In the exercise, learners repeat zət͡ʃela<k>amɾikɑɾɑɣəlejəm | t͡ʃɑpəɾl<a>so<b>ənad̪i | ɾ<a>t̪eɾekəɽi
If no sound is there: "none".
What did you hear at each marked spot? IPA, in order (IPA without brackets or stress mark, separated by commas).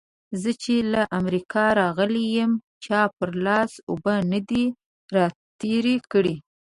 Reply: ʔ, ɑ, b, ɑ